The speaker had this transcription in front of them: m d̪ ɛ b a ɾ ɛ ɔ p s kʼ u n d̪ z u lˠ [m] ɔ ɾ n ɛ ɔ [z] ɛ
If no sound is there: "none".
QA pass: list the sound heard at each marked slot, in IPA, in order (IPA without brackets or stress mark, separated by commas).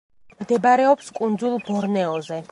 b, z